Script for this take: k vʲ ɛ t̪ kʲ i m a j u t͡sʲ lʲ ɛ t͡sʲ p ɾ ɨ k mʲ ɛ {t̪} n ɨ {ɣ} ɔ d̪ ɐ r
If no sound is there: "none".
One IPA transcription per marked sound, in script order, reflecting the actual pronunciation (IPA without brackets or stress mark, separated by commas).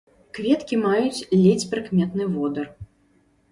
t̪, v